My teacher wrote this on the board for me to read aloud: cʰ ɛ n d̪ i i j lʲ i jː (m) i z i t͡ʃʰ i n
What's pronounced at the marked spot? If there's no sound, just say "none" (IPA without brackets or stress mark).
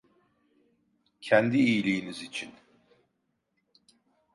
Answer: n